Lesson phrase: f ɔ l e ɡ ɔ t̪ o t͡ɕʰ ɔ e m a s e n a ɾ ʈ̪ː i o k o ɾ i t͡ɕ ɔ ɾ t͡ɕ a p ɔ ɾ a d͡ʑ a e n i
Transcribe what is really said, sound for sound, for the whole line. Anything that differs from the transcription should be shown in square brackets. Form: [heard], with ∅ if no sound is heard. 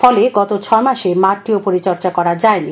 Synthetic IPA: f ɔ l e ɡ ɔ t̪ o t͡ɕʰ ɔ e m a [ʃ] e [m] a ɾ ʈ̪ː i o [p] o ɾ i t͡ɕ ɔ ɾ t͡ɕ a [k] ɔ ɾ a d͡ʑ a e n i

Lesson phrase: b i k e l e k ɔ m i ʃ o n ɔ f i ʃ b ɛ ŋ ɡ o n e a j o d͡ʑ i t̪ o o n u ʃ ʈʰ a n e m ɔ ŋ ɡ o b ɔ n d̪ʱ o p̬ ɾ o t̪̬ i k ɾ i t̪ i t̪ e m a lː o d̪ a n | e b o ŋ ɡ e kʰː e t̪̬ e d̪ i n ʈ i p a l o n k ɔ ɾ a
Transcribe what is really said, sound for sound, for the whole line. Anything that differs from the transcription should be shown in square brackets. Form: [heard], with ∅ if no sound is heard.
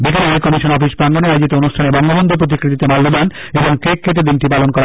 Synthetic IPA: b i k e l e k ɔ m i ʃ o n ɔ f i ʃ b [a] ŋ ɡ o n e a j o d͡ʑ i t̪ o o n u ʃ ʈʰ a n e [b] ɔ ŋ ɡ o b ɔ n d̪ʱ o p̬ ɾ o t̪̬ i k ɾ i t̪ i t̪ e m a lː o d̪ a n | e b o ŋ [k] e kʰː e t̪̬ e d̪ i n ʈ i p a l o n k ɔ ɾ a

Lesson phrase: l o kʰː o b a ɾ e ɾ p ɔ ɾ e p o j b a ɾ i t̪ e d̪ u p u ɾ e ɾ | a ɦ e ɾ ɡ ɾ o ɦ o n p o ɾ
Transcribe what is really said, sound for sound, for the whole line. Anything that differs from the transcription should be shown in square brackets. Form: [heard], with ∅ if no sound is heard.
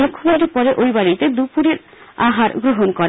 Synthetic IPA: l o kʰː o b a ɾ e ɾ p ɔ ɾ e [ʔ] o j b a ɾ i t̪ e d̪ u p u ɾ e ɾ | a ɦ [a] ɾ ɡ ɾ o ɦ o n [k] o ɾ

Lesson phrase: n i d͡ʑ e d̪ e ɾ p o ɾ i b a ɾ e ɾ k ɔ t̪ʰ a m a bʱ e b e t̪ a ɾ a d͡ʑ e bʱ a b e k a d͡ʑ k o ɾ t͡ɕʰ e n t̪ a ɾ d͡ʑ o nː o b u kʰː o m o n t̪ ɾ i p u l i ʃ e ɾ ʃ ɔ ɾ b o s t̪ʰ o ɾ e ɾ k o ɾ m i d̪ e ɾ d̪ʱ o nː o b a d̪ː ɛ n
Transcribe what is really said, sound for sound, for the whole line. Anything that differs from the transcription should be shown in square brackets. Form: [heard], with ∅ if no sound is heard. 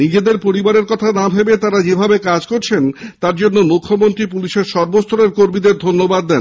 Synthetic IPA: n i d͡ʑ e d̪ e ɾ p o ɾ i b a ɾ e ɾ k ɔ t̪ʰ a [n] a bʱ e b e t̪ a ɾ a d͡ʑ e bʱ a b e k a d͡ʑ k o ɾ t͡ɕʰ e n t̪ a ɾ d͡ʑ o nː o [m] u kʰː o m o n t̪ ɾ i p u l i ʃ e ɾ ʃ ɔ ɾ b o s t̪ʰ o ɾ e ɾ k o ɾ m i d̪ e ɾ d̪ʱ o nː o b a d̪ː ɛ n

